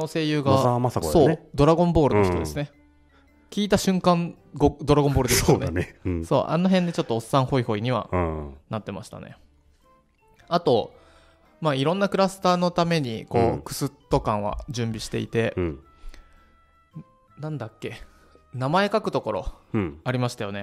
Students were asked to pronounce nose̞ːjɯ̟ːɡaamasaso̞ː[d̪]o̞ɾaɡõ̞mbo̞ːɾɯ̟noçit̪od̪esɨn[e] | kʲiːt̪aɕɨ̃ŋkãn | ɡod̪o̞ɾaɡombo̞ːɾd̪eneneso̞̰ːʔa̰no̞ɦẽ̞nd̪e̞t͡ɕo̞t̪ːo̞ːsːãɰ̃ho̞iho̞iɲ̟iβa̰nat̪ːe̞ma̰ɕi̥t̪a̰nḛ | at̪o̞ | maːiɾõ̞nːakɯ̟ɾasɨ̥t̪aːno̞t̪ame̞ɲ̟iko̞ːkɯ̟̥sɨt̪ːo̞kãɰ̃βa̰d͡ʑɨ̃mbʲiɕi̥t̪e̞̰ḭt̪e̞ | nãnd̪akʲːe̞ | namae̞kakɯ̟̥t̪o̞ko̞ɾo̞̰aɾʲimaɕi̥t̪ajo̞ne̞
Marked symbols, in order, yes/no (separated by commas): yes, yes